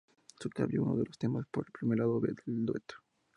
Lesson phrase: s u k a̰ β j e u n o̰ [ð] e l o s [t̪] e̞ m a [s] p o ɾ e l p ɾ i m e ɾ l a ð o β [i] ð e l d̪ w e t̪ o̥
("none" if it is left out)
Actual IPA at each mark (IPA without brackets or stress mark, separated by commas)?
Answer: ð, t̪, s, e